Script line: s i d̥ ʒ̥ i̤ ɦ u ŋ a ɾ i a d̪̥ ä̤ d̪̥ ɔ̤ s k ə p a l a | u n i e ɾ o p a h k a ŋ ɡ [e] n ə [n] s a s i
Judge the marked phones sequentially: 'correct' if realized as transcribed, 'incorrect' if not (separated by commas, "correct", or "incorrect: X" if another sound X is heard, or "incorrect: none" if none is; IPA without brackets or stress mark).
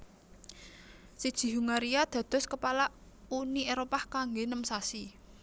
correct, incorrect: m